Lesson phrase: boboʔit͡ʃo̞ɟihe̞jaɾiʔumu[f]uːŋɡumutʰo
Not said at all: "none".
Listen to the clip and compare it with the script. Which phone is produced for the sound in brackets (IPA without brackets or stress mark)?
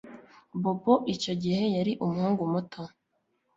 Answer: h